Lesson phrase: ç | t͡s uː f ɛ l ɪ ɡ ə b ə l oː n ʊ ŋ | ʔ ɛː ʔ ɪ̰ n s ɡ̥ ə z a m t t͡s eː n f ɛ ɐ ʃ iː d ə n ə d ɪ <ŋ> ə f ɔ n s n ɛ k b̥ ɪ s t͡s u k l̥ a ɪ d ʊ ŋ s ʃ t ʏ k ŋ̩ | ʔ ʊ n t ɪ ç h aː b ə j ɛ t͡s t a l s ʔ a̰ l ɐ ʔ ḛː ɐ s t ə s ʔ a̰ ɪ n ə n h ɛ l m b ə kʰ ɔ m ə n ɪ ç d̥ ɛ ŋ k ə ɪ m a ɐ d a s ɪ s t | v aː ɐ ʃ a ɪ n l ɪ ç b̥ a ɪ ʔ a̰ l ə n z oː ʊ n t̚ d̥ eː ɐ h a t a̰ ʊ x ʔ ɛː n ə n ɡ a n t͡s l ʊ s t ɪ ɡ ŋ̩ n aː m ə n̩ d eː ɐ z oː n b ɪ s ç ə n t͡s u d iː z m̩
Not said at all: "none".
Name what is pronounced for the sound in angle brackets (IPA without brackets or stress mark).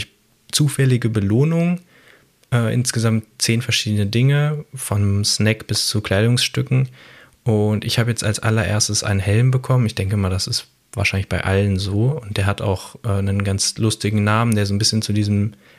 ŋ